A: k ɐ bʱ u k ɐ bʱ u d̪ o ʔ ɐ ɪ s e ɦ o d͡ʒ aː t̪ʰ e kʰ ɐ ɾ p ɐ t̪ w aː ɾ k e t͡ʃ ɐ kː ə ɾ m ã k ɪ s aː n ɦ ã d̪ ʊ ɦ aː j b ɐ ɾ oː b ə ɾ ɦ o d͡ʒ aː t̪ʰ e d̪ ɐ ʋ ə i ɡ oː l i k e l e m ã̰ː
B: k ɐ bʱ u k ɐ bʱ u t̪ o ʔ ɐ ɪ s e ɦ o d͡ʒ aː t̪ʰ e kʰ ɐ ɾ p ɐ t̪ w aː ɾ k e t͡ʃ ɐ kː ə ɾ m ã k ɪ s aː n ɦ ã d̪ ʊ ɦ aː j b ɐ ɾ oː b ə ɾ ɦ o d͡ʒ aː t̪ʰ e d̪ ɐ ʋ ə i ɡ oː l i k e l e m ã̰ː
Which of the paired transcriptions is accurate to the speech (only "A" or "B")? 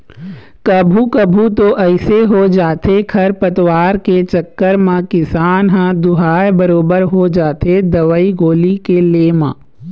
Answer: B